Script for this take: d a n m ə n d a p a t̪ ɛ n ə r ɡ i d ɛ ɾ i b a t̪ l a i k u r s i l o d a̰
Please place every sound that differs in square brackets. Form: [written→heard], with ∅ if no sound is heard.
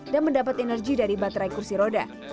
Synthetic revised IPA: d a n m ə n d a p a t̪ ɛ n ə r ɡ i d [ɛ→a] ɾ i b a t̪ [l→ɾ] a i k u r s i [l→ɾ] o d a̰